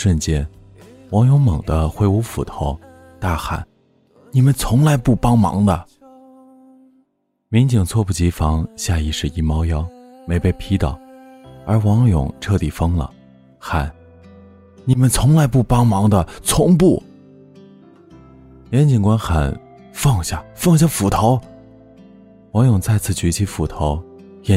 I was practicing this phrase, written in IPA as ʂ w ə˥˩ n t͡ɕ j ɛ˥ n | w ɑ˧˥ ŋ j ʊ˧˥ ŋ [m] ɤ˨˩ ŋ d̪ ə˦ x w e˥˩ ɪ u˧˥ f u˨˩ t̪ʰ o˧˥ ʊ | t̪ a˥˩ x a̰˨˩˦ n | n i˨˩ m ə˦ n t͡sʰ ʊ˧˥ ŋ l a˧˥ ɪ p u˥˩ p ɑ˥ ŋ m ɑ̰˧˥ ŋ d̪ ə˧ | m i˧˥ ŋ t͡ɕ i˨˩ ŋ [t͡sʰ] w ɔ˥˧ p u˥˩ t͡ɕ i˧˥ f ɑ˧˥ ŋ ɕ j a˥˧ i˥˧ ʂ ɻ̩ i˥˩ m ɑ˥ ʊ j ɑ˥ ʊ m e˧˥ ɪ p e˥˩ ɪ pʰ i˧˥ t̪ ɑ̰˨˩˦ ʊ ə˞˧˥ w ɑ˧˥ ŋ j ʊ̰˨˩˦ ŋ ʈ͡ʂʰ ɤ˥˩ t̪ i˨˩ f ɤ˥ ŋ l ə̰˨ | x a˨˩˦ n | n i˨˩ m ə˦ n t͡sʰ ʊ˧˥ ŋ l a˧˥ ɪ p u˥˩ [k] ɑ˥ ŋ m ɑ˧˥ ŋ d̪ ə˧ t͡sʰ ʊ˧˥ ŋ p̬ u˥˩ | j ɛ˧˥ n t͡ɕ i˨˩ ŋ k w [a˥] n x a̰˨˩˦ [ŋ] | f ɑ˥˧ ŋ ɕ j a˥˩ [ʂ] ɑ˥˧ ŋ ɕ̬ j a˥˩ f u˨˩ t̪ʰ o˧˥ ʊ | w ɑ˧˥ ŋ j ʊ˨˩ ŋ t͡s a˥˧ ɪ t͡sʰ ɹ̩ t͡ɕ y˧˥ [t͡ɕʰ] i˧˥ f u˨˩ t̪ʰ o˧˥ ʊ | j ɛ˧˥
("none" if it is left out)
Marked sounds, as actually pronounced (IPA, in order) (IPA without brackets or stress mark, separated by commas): m, t͡sʰ, p, a˥, n, f, t͡ɕʰ